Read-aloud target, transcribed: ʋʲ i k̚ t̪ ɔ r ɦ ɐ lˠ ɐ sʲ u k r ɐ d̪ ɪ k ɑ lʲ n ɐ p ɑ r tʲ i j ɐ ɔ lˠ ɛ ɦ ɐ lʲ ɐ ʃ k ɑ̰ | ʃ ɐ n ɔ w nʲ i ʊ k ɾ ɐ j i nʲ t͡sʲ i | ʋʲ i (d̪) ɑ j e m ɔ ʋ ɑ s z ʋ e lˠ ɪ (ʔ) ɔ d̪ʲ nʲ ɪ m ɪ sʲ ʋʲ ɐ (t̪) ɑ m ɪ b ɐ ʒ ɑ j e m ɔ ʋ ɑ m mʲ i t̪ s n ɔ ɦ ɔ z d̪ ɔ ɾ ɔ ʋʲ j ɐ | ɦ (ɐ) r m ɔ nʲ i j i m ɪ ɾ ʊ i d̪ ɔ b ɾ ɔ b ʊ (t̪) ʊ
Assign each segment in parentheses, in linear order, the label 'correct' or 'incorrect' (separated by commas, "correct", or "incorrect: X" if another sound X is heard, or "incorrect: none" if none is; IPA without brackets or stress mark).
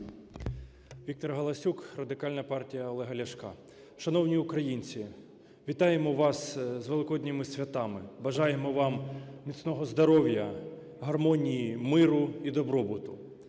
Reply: incorrect: t̪, incorrect: k, correct, correct, correct